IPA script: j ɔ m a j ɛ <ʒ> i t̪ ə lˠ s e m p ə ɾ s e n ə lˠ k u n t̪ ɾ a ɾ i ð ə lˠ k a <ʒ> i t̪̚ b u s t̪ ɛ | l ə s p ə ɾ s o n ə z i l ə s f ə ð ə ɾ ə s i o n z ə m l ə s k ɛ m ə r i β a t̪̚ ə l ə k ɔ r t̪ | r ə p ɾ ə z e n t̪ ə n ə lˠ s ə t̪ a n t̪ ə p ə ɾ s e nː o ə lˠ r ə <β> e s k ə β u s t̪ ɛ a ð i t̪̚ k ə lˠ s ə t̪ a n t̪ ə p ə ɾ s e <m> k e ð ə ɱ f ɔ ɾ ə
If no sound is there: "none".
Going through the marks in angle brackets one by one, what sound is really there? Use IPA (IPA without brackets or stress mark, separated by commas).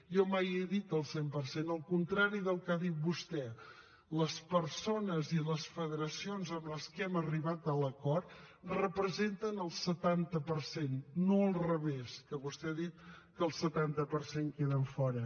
ð, ð, β, ŋ